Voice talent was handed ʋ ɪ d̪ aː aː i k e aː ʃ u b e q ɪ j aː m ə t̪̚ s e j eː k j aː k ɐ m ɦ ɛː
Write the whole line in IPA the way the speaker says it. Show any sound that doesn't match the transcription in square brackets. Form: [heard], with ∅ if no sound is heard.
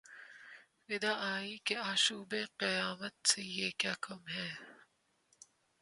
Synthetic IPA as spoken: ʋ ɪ d̪ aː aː i k e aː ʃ [uː] b e q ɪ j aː m ə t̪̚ s e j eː k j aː k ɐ m ɦ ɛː